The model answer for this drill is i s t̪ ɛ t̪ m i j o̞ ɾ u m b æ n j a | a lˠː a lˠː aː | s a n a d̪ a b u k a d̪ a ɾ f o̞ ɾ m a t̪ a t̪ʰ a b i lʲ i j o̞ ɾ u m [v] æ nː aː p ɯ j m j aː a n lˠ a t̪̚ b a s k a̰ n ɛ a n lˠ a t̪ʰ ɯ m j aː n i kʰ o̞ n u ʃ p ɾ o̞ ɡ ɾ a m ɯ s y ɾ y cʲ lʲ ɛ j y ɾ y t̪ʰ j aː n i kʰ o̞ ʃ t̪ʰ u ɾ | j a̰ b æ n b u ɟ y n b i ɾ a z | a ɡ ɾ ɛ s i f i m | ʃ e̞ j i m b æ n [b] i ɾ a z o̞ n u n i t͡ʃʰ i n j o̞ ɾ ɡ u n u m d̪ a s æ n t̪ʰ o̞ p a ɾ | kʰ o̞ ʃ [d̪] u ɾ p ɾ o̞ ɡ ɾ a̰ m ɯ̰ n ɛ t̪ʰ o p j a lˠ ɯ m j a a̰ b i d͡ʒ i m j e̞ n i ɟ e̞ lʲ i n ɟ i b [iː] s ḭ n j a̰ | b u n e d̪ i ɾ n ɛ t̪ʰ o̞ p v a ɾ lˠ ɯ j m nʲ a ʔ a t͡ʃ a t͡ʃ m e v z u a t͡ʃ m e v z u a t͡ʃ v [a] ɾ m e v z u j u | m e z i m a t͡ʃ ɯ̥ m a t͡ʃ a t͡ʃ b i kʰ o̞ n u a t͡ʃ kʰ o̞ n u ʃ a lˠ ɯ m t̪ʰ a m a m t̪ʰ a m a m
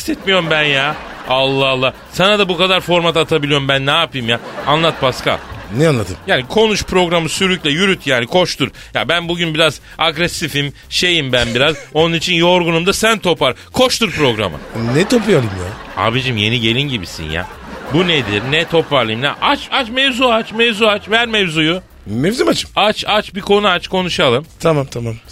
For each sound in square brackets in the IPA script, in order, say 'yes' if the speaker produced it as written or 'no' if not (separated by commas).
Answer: no, yes, no, no, no